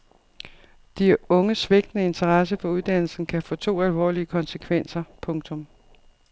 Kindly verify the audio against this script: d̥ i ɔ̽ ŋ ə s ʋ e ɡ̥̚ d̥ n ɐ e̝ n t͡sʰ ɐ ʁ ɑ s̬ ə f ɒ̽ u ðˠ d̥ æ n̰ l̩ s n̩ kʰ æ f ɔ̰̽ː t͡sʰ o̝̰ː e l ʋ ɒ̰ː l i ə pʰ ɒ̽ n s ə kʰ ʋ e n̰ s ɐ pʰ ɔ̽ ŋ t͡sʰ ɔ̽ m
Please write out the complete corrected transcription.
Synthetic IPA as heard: d̥ i ɔ̽ ŋ ə s ʋ e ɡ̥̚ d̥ n ə e̝ n t͡sʰ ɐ ʁ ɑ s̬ ə f ɒ̽ u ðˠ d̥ æ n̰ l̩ s n̩ kʰ æ f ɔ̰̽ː t͡sʰ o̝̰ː æ l ʋ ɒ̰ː l i ə kʰ ɒ̽ n s ə kʰ ʋ e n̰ s ɐ pʰ ɔ̽ ŋ t͡sʰ ɔ̽ m